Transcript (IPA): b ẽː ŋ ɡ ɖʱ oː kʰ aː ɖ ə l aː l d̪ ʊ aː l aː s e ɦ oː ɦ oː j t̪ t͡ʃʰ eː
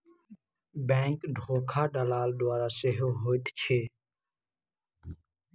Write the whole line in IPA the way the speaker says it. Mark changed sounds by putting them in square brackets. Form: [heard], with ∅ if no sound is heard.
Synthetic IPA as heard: b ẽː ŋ [k] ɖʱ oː kʰ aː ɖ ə l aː l d̪ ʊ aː [ɾ] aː s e ɦ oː ɦ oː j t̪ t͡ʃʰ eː